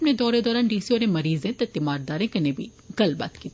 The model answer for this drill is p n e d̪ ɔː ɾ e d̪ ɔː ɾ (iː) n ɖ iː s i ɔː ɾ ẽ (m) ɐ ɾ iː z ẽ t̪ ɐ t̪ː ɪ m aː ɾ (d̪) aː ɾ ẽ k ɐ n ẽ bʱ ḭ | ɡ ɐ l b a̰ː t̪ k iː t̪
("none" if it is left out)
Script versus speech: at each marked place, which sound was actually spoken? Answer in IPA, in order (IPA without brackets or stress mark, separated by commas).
aː, m, d̪